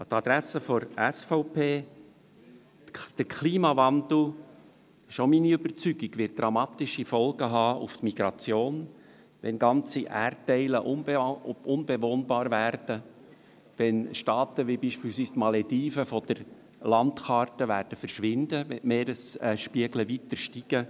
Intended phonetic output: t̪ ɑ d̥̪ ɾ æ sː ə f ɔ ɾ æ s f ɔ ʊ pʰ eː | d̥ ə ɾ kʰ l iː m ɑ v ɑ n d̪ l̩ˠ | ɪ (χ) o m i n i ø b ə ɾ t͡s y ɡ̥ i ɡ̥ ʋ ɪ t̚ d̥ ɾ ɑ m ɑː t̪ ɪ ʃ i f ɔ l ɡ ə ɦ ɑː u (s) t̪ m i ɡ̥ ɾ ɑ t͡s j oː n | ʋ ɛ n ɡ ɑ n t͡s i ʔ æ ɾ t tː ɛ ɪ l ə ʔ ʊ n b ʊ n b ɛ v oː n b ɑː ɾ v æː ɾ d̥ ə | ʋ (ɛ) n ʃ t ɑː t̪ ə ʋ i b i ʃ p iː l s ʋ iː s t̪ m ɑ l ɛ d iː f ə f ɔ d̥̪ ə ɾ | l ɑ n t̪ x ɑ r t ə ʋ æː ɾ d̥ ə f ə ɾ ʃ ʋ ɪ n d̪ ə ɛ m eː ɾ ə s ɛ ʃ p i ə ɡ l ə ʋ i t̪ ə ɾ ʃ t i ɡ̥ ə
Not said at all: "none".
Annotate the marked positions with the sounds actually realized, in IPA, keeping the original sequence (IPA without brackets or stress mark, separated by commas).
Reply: ʃ, f, ɛ